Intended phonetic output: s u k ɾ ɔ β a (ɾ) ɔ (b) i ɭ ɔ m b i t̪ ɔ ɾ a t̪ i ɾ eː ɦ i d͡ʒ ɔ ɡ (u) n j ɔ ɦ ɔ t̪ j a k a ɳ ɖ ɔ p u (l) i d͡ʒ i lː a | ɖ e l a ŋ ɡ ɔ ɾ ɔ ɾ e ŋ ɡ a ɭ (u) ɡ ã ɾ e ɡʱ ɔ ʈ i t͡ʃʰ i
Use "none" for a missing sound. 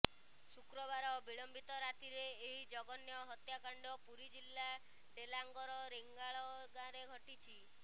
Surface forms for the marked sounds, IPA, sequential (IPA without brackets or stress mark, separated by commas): ɾ, b, ɔ, ɾ, ɔ